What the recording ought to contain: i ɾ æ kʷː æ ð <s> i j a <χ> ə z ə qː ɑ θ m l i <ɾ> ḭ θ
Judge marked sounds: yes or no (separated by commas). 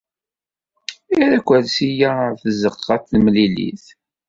yes, no, no